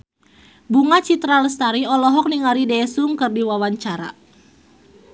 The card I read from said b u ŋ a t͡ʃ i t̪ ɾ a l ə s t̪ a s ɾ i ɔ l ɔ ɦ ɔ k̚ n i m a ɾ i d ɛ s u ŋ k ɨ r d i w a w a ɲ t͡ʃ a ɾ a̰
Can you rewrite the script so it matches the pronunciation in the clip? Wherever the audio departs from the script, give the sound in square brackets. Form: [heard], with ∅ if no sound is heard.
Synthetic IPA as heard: b u ŋ a t͡ʃ i t̪ ɾ a l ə s t̪ a [∅] ɾ i ɔ l ɔ ɦ ɔ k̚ n i [ŋ] a ɾ i d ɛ s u ŋ k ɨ r d i w a w a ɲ t͡ʃ a ɾ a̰